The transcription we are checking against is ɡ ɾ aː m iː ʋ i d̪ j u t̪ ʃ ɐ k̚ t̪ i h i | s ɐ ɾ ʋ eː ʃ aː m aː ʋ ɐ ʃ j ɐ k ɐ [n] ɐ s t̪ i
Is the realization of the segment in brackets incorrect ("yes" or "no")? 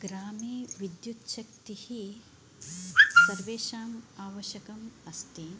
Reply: yes